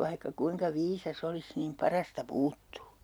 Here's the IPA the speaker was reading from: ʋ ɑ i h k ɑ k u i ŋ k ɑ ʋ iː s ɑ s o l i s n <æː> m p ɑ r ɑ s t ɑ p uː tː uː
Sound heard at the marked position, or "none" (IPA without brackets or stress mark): iː